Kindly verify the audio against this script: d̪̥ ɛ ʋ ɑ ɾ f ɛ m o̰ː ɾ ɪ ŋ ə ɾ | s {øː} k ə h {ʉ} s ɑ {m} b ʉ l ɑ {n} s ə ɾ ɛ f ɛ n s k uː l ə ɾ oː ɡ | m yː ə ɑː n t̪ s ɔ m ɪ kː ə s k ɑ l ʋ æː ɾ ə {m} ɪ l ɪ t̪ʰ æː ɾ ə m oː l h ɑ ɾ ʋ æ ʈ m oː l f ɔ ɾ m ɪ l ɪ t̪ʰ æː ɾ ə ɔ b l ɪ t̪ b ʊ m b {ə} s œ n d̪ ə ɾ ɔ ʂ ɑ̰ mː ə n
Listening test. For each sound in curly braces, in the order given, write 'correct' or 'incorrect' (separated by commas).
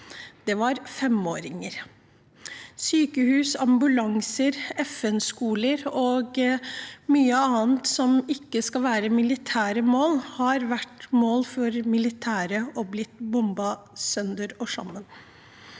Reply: incorrect, incorrect, correct, incorrect, correct, incorrect